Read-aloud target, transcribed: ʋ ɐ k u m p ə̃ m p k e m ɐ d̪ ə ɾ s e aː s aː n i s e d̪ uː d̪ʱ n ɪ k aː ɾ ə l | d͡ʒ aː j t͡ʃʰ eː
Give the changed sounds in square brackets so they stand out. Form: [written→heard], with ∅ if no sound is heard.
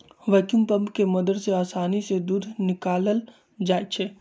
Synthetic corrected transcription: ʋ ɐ k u m p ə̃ m p k e m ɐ d̪ ə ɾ s e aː s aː n i s e d̪ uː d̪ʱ n ɪ k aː [ɾ→l] ə l | d͡ʒ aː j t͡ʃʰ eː